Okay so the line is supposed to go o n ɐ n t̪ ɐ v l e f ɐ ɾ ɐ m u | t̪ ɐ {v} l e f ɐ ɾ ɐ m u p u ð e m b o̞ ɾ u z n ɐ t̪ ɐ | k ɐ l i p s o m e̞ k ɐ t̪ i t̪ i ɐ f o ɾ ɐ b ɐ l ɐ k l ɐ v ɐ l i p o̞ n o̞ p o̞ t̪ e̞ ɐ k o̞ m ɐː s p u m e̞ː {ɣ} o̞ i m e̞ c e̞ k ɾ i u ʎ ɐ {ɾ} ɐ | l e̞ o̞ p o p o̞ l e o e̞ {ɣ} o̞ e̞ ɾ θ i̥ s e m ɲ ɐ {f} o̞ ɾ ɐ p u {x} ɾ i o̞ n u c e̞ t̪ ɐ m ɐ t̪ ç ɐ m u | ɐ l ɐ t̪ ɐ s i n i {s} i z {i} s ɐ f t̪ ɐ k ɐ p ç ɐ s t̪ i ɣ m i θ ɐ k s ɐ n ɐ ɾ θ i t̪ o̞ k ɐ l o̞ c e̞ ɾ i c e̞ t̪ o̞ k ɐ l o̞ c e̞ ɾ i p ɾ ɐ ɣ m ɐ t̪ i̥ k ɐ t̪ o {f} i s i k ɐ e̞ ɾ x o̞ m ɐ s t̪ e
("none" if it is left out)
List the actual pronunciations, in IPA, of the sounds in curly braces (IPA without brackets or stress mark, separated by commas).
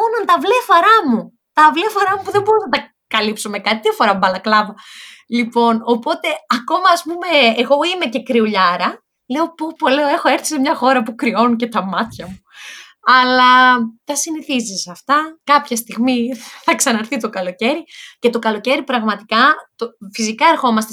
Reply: v, ɣ, ɾ, x, x, k, θ, i, f